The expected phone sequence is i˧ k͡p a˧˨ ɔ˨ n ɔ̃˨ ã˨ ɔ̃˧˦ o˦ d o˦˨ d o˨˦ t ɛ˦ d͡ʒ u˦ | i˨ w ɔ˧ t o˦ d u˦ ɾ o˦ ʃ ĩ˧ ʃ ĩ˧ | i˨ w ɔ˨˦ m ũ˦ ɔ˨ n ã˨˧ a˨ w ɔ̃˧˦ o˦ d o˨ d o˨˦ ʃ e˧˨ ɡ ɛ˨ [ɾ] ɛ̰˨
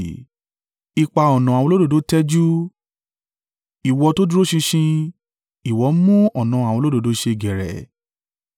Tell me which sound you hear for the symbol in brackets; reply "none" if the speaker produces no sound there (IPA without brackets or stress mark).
ɾ